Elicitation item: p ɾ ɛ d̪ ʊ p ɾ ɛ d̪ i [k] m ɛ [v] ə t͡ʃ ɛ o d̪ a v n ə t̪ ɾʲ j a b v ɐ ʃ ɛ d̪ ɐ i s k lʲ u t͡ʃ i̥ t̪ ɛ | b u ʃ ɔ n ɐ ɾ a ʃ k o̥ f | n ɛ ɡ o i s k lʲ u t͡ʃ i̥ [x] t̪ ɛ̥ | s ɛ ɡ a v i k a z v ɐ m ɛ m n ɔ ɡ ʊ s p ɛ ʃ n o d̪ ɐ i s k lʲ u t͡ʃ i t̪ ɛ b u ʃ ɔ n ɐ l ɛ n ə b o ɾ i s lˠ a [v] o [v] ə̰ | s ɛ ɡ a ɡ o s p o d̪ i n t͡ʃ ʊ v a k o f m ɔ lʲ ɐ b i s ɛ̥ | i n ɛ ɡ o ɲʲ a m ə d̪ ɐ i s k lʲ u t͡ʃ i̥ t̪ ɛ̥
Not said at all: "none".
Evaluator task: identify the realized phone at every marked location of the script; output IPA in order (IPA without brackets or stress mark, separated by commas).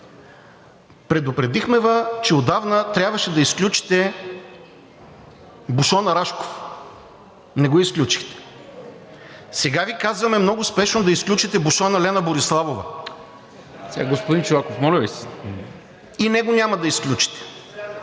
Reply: x, v, x, v, v